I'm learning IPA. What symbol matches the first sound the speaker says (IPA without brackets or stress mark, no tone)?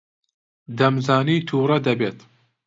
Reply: d̪